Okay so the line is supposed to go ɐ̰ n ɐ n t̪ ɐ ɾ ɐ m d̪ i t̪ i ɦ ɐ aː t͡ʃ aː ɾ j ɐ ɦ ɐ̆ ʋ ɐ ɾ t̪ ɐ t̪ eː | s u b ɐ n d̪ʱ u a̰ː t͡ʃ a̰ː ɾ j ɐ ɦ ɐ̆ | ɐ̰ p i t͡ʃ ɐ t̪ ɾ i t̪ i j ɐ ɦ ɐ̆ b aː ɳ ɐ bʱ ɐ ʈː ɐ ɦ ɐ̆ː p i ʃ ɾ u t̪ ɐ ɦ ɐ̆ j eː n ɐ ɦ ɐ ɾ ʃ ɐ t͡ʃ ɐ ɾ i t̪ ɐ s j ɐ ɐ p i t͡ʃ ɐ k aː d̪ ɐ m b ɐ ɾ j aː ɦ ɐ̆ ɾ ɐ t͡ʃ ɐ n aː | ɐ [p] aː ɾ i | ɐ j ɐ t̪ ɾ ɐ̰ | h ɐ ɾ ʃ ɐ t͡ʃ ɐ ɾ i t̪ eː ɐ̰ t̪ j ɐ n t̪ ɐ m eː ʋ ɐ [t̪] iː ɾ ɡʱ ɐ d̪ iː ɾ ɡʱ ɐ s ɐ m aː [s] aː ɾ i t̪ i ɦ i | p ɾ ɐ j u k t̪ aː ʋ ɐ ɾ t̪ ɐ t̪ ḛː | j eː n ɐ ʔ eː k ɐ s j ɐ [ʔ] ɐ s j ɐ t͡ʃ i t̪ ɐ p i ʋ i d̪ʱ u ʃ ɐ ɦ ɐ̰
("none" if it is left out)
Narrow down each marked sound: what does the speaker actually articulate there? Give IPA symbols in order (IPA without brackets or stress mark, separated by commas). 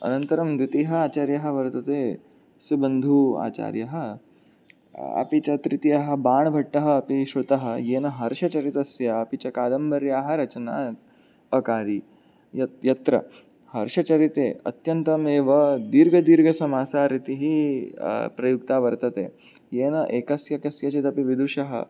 k, d̪, s, k